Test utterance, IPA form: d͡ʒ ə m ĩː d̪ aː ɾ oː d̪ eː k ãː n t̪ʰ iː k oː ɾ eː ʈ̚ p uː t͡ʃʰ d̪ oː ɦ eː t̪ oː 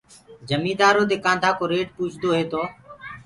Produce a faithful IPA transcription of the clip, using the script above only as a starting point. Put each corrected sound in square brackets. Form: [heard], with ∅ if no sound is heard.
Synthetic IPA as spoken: d͡ʒ ə m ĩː d̪ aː ɾ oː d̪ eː k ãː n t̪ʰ [aː] k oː ɾ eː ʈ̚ p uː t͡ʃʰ d̪ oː ɦ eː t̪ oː